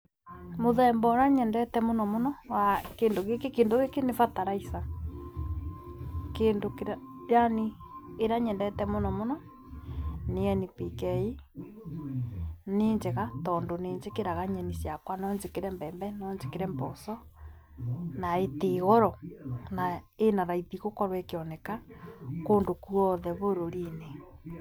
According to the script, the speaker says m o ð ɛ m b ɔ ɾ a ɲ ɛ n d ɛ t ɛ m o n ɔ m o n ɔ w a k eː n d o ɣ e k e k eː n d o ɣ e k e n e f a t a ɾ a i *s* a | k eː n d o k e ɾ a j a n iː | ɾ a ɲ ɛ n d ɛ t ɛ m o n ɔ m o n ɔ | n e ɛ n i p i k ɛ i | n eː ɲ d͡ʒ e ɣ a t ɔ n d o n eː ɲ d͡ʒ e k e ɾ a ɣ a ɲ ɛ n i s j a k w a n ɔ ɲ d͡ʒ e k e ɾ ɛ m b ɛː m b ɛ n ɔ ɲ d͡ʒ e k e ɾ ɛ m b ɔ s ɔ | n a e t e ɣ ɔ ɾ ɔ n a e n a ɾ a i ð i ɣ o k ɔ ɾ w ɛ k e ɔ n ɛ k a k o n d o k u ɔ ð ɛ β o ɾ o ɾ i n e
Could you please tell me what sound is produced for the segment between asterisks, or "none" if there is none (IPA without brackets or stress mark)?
s